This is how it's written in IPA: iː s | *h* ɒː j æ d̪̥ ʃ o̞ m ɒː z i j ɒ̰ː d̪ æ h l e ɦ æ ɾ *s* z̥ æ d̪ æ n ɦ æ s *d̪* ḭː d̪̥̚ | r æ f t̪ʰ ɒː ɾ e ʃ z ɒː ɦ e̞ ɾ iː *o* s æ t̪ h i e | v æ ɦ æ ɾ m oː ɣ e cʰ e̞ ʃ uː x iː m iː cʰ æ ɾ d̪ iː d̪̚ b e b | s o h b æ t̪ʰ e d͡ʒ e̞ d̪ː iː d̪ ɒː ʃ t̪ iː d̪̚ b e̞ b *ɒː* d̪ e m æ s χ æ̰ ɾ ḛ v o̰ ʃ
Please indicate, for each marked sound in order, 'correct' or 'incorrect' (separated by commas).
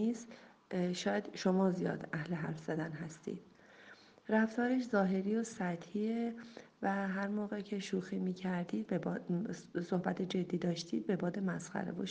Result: incorrect, incorrect, incorrect, correct, correct